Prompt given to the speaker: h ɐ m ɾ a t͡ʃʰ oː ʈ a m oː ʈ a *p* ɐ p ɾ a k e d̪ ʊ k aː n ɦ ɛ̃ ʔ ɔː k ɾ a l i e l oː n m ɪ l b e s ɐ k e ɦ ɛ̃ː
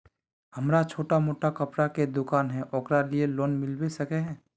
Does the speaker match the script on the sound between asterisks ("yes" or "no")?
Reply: no